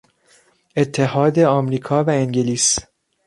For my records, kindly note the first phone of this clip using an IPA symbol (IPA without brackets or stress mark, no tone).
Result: e̞